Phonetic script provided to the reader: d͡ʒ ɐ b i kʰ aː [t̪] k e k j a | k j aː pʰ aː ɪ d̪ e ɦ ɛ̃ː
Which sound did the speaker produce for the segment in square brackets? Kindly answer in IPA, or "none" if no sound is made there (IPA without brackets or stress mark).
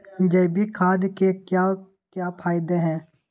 d̪